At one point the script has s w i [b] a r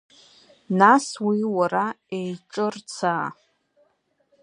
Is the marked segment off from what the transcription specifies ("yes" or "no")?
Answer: yes